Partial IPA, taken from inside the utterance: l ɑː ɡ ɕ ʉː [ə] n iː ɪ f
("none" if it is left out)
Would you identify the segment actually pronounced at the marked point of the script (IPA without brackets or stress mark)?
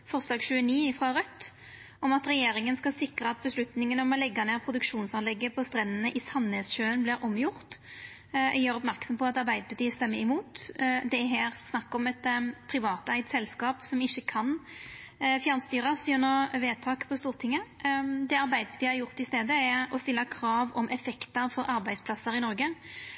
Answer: ə